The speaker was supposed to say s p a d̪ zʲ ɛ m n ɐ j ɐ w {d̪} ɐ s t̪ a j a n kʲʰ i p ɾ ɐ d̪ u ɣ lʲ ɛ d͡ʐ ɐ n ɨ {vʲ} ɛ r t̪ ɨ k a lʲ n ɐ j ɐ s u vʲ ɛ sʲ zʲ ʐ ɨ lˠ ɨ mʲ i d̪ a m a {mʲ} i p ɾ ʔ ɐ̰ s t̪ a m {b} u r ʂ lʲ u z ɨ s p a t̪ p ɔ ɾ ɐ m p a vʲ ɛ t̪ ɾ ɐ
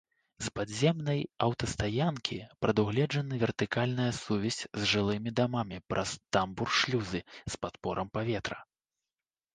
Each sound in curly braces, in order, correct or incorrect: incorrect, correct, correct, correct

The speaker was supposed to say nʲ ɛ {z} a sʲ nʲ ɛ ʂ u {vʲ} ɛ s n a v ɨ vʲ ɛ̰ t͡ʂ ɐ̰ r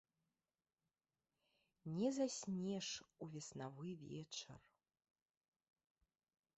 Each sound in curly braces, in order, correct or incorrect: correct, correct

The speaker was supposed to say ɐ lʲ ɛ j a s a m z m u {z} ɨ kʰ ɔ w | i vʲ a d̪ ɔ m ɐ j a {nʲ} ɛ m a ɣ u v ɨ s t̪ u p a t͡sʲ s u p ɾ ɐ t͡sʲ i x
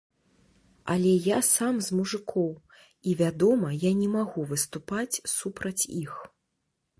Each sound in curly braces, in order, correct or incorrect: incorrect, correct

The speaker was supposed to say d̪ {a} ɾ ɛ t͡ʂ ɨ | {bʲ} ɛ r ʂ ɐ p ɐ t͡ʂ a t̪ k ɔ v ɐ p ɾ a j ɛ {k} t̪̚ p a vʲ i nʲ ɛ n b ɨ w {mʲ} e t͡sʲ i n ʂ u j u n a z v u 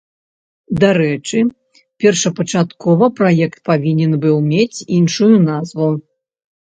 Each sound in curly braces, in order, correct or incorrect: correct, incorrect, correct, correct

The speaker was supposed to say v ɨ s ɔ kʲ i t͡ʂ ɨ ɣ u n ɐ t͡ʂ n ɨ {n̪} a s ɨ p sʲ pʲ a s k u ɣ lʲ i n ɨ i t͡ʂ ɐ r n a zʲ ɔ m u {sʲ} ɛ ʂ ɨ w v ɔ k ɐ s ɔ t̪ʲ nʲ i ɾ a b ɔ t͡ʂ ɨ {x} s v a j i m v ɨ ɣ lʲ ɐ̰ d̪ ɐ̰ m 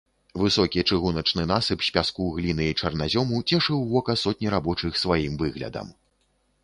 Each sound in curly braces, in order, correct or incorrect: correct, incorrect, correct

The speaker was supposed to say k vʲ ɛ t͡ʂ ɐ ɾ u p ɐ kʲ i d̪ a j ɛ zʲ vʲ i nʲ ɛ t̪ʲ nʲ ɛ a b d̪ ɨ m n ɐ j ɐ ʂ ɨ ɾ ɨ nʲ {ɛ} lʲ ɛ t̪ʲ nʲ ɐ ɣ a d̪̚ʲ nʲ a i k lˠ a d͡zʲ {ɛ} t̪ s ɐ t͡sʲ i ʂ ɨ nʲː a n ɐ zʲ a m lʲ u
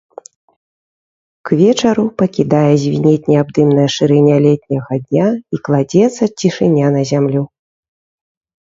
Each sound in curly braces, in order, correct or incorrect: incorrect, correct

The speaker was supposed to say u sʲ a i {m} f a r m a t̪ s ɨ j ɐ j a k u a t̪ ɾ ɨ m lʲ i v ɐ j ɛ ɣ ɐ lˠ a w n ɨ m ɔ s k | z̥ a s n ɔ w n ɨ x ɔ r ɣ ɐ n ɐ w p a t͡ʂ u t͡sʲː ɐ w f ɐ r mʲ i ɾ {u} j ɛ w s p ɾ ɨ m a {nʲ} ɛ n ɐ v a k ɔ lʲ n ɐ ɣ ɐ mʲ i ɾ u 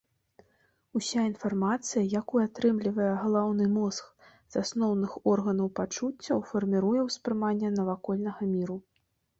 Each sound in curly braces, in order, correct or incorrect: incorrect, correct, incorrect

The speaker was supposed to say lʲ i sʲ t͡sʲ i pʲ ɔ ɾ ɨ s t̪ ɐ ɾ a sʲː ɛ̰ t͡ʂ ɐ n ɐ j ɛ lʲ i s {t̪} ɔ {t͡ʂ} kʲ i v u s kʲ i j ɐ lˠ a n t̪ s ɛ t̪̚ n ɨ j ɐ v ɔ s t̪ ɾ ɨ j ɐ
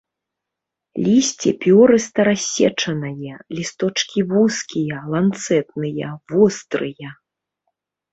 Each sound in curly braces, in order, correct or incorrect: correct, correct

